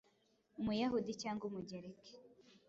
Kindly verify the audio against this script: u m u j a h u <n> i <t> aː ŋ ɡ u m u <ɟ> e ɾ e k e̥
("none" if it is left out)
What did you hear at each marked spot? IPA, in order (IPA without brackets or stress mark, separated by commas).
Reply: d, c, ɟ